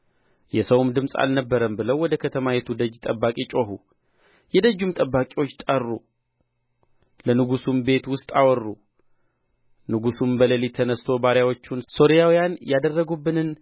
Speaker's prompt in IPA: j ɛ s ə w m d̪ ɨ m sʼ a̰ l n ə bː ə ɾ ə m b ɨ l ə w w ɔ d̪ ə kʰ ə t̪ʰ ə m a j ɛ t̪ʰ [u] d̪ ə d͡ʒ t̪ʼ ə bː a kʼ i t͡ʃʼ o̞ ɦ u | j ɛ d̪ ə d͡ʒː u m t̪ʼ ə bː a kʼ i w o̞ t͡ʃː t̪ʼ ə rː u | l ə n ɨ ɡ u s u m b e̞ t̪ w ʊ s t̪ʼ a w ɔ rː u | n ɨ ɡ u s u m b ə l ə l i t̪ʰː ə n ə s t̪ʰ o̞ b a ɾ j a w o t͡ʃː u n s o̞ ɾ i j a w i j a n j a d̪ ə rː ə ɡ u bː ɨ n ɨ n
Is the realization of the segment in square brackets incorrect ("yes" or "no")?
no